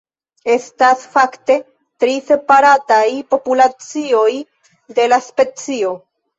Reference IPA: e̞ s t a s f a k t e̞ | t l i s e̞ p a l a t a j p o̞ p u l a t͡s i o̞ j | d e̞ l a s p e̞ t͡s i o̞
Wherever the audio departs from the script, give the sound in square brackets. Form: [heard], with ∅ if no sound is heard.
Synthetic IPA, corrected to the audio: e̞ s t a s f a k t e̞ | t [ɾ] i s e̞ p a [ɾ] a t a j p o̞ p u l a t͡s i o̞ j | d e̞ l a s p e̞ t͡s i o̞